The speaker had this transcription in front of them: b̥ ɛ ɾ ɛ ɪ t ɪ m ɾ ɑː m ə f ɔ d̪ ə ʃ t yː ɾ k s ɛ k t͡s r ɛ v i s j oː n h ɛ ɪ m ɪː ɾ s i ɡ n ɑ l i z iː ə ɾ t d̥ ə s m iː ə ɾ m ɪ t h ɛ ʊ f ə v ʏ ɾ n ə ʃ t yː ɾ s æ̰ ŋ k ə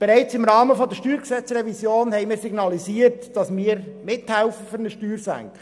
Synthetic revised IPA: b̥ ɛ ɾ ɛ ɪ t͡s ɪ m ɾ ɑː m ə f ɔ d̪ ə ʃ t yː ɾ k s ɛ t͡s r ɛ v i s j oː n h ɛ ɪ m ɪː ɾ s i ɡ n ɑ l i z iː ə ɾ t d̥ ɑ s m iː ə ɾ m ɪ t h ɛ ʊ f ə f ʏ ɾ n ə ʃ t yː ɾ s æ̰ ŋ k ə